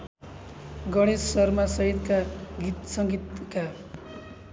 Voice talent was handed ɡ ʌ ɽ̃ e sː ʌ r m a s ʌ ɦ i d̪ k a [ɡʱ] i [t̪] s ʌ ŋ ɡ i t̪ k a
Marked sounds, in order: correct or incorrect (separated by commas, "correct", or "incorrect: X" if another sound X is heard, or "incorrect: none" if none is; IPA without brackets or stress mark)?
correct, correct